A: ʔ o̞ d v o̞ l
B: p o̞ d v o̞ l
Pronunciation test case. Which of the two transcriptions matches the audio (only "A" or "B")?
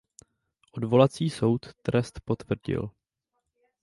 A